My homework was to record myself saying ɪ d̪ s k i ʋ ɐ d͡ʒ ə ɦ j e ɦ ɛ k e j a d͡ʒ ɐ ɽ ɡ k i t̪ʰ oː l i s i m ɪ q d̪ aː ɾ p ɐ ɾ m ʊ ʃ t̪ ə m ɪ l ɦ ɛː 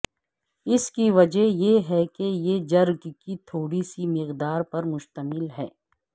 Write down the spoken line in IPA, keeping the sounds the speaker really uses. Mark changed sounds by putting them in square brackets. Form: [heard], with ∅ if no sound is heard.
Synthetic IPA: ɪ [∅] s k i ʋ ɐ d͡ʒ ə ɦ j e ɦ ɛ k e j [e] d͡ʒ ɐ [ɾ] ɡ k i t̪ʰ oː [ɽ] i s i m ɪ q d̪ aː ɾ p ɐ ɾ m ʊ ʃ t̪ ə m ɪ l ɦ ɛː